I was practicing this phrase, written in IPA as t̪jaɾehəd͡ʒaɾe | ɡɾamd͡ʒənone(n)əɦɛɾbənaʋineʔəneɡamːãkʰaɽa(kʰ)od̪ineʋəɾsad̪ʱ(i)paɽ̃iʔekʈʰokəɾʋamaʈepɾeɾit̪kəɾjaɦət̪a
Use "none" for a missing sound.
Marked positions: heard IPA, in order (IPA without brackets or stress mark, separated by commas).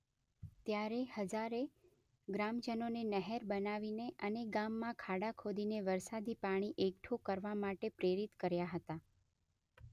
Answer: n, kʰ, i